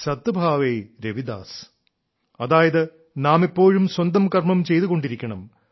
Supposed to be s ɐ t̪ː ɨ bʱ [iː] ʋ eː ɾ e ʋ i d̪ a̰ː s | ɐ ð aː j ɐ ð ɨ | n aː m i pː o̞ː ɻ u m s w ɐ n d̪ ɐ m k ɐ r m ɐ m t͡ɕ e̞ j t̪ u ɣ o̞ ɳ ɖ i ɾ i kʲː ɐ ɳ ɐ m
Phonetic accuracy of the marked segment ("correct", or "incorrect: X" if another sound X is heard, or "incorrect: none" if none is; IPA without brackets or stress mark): incorrect: aː